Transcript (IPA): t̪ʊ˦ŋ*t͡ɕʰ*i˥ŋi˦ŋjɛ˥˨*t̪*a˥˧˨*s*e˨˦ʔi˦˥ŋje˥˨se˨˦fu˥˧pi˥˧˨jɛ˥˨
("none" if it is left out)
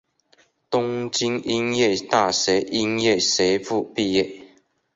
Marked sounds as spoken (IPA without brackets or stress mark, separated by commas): t͡ɕ, t̪, s